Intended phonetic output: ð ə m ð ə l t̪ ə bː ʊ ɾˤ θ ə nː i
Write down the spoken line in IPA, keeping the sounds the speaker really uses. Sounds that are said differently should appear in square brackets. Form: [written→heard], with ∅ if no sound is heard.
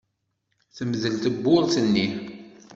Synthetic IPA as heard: [ð→θ] ə m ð ə l t̪ ə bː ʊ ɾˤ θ ə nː i